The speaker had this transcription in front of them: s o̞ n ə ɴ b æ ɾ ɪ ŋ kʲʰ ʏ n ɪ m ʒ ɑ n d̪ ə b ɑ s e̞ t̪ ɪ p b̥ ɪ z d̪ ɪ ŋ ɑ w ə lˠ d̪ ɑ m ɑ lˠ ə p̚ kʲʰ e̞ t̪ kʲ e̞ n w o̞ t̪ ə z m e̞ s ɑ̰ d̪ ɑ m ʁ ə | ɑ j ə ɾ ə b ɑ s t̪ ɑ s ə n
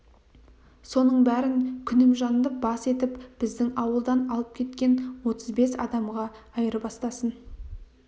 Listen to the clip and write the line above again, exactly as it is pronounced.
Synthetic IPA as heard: s o̞ n ə ɴ b æ ɾ ɪ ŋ kʲʰ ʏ n ɪ m ʒ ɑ n d̪ ə b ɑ s e̞ t̪ ɪ p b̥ ɪ z d̪ ɪ ŋ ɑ w ə lˠ d̪ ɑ n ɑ lˠ ə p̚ kʲʰ e̞ t̪ kʲ e̞ n w o̞ t̪ ə z b e̞ s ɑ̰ d̪ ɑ m ʁ ɑ | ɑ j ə ɾ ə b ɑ s t̪ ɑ s ə n